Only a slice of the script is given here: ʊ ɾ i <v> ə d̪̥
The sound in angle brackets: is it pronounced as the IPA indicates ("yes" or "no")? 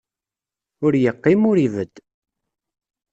yes